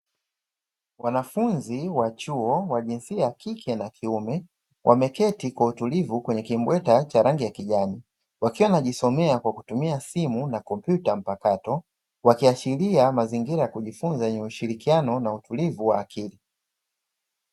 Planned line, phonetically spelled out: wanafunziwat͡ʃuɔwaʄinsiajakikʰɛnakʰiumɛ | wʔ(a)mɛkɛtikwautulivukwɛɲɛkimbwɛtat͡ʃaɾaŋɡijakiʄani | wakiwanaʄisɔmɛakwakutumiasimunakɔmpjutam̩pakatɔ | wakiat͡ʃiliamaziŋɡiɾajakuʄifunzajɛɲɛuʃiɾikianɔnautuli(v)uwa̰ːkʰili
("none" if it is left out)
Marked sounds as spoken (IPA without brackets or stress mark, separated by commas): a, v